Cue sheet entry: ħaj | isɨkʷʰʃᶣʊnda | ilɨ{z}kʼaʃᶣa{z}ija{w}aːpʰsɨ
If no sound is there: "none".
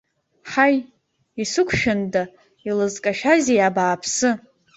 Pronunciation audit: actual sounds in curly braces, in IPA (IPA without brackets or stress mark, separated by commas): z, z, b